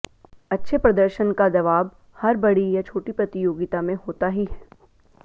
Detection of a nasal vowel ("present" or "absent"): present